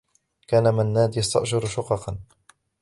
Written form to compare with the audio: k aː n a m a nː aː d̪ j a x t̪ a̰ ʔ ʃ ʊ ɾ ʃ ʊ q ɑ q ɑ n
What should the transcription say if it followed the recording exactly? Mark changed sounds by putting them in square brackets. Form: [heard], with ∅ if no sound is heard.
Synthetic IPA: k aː n a m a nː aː d̪ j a [s] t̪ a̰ ʔ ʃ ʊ ɾ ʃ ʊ q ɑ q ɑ n